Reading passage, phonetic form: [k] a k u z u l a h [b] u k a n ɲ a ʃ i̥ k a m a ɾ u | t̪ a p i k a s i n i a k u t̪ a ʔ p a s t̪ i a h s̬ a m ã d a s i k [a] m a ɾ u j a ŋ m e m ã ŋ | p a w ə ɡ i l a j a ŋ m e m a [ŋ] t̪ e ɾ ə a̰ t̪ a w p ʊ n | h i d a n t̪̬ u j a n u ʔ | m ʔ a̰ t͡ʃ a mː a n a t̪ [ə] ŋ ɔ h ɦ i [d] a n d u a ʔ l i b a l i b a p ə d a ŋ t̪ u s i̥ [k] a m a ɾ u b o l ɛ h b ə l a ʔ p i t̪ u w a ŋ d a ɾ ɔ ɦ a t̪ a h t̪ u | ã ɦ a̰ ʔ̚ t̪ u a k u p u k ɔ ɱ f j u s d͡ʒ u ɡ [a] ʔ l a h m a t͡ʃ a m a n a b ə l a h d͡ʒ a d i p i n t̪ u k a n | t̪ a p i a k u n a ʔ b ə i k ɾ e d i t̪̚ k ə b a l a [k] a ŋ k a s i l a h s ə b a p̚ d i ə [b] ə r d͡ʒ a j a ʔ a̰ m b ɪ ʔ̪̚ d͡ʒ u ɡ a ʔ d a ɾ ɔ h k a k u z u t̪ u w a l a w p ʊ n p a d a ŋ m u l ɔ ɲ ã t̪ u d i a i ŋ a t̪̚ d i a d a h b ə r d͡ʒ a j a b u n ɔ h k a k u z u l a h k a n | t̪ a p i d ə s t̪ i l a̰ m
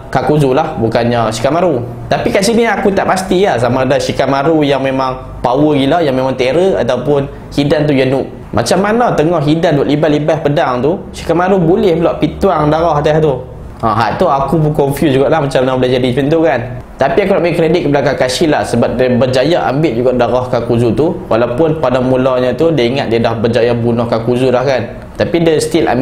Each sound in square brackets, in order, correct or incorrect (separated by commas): correct, correct, correct, correct, correct, correct, correct, correct, correct, correct